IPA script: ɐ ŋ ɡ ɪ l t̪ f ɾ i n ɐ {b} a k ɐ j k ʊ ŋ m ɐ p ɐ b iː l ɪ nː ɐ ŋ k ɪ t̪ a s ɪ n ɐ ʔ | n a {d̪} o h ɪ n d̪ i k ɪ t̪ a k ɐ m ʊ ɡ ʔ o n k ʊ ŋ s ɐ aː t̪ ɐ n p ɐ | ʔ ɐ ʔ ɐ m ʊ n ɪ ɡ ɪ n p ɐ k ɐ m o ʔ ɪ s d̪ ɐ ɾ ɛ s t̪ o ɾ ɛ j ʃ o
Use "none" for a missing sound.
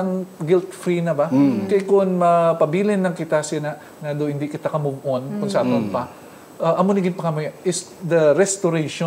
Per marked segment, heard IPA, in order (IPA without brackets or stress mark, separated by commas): b, d̪